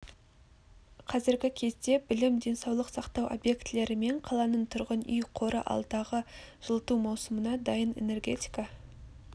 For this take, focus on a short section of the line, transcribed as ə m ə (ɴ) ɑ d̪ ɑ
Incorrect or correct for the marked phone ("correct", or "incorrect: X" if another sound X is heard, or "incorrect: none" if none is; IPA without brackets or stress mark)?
incorrect: n